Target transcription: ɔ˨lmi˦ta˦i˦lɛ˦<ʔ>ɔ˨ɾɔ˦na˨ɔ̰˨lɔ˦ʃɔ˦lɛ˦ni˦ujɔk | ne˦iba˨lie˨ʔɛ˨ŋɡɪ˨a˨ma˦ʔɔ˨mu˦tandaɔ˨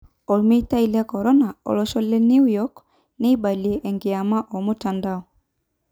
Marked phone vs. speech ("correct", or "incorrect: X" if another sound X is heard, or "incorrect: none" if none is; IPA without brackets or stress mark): incorrect: k